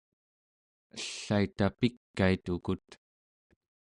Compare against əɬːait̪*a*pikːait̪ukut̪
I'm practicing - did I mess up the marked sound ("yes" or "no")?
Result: no